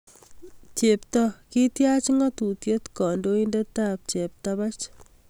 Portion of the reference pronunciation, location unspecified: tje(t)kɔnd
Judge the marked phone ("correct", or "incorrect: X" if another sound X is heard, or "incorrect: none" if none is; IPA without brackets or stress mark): correct